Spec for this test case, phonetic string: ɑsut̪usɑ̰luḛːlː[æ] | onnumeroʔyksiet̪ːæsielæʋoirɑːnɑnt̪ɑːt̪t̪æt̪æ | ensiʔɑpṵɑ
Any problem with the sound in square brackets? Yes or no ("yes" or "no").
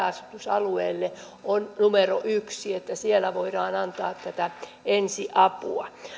yes